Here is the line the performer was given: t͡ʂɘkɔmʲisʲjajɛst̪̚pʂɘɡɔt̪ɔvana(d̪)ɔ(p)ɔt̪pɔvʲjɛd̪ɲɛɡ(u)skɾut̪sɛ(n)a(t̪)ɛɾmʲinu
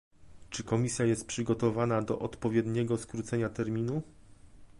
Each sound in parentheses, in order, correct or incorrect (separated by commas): correct, incorrect, incorrect, incorrect, correct